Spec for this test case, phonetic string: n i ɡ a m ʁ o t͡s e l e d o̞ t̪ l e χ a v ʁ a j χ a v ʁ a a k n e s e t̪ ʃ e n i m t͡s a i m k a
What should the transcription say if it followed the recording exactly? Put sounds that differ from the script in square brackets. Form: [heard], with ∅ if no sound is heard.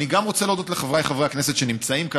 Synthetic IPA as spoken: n i ɡ a m ʁ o t͡s e l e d o̞ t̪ l e χ a v ʁ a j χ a v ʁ [e] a k n e s e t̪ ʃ e n i m t͡s a i m k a